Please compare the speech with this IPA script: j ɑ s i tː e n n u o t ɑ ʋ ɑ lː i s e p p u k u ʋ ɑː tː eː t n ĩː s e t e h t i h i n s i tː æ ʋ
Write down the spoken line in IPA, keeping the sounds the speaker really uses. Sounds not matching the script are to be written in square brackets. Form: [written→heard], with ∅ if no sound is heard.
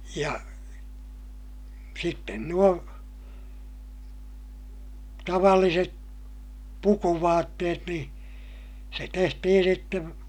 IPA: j ɑ s i tː e n n u o t ɑ ʋ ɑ lː i s e [p→t] p u k u ʋ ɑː tː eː t n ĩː s e t e h t i h i n s i tː [æ→e] ʋ